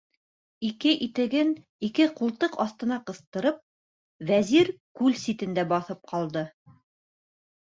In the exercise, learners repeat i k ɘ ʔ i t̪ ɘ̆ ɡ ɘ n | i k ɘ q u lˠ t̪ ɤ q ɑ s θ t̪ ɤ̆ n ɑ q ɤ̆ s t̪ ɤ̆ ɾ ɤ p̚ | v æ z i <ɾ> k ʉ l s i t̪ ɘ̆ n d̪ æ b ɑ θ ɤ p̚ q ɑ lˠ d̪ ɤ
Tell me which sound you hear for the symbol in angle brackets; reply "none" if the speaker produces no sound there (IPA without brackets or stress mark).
ɾ